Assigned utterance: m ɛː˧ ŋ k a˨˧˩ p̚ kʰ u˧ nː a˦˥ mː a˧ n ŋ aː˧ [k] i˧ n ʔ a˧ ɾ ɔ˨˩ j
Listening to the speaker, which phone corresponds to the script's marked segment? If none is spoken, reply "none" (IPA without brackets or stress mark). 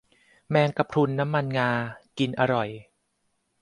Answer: k